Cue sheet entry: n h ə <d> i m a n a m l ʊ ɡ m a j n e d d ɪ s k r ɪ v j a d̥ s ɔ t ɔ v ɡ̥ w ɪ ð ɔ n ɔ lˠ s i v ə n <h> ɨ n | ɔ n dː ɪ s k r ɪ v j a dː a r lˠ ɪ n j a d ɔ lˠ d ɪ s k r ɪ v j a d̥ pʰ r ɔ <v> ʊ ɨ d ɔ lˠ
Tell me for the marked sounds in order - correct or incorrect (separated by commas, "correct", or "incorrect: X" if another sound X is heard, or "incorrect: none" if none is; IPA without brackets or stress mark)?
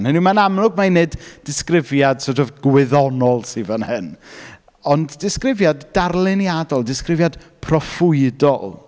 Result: incorrect: n, correct, incorrect: f